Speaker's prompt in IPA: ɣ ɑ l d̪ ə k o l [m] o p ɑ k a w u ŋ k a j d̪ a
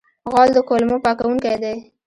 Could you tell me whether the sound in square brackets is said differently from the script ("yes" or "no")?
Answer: no